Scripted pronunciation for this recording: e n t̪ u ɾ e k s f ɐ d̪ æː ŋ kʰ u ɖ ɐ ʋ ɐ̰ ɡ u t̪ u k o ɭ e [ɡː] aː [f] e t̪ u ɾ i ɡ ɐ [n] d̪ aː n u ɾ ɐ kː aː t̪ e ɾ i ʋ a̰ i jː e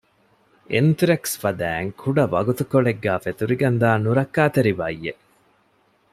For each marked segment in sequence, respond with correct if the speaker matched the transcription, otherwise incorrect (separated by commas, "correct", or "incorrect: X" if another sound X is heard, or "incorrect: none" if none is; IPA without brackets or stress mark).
correct, correct, correct